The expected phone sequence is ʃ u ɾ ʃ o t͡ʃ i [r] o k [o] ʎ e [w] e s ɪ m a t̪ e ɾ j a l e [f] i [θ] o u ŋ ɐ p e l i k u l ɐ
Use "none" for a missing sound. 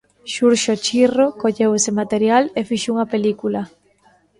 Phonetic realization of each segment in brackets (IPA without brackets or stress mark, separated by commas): r, o, w, f, ʃ